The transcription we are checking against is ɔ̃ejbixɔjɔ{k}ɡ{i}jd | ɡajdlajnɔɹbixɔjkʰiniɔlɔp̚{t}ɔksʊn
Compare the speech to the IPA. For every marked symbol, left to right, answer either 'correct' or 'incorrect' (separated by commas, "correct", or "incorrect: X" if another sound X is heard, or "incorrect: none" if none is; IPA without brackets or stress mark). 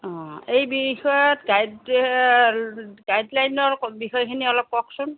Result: incorrect: t, incorrect: a, incorrect: k